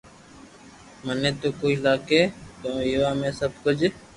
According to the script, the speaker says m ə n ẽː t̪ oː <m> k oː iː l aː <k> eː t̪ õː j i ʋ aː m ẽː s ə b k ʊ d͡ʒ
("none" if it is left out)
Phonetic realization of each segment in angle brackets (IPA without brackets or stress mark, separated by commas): none, k